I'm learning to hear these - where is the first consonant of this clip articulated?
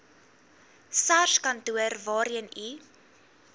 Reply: tongue tip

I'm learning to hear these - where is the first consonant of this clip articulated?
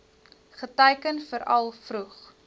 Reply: uvula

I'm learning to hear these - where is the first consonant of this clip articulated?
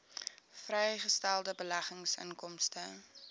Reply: lips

